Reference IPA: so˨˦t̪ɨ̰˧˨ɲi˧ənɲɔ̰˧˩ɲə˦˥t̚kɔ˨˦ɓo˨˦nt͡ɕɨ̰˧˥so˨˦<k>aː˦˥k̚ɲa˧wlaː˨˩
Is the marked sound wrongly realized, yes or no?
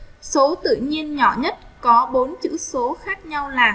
yes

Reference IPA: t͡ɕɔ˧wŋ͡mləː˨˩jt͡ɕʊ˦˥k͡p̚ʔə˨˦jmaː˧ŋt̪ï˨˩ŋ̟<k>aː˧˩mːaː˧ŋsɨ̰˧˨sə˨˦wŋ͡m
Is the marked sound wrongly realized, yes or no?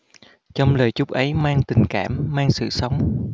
no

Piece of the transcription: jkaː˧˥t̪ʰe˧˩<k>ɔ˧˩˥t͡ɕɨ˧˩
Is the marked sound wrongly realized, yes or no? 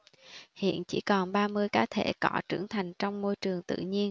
no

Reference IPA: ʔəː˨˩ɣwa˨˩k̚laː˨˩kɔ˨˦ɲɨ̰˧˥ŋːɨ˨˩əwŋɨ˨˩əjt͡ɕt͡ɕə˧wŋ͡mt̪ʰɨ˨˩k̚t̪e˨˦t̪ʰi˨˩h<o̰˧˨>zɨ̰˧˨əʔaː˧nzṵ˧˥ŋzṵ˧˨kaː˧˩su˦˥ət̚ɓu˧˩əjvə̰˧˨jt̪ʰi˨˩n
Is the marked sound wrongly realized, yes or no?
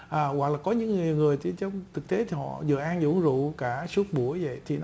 yes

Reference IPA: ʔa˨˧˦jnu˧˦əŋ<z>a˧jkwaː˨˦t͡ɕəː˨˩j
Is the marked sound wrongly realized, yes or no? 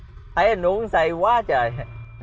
yes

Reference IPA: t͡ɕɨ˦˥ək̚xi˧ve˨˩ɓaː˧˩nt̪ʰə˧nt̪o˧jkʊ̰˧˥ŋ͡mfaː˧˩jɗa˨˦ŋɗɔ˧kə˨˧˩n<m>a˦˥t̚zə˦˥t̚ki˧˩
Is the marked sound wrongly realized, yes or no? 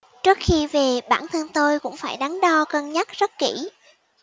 yes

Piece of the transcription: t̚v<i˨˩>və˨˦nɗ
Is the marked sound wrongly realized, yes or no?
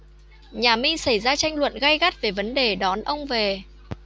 yes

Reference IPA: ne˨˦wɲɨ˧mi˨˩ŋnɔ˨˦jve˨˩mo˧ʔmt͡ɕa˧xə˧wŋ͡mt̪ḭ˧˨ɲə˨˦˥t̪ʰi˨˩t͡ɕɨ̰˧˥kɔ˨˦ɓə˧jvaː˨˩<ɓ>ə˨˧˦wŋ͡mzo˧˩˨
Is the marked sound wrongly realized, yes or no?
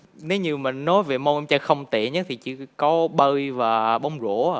no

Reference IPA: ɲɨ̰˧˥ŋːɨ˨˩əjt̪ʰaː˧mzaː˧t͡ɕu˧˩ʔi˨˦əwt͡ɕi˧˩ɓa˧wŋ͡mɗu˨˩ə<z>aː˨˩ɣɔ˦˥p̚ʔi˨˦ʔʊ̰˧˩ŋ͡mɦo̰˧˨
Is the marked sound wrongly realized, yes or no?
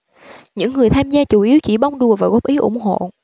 yes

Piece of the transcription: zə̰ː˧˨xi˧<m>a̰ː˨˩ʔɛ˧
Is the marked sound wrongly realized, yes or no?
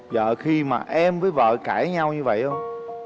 no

